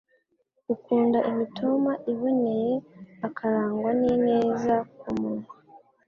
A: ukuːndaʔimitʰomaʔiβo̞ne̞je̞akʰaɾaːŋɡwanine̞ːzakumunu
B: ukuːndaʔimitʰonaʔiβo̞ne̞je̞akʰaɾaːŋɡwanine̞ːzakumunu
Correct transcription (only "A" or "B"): A